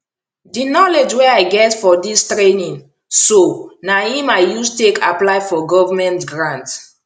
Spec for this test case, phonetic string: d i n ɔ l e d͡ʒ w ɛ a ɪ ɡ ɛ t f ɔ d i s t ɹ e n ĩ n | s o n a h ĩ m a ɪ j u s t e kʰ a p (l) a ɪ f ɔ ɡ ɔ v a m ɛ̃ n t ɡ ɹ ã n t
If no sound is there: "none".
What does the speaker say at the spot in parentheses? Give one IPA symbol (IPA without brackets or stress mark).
l